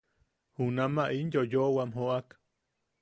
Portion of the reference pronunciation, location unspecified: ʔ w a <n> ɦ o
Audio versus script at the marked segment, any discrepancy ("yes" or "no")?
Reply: yes